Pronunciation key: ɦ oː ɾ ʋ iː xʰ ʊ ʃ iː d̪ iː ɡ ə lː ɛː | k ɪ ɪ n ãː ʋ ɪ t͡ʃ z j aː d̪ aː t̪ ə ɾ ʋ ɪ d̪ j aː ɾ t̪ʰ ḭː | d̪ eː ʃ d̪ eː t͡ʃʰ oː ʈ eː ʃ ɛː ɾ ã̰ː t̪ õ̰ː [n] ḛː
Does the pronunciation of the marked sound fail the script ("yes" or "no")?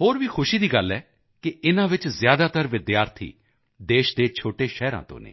no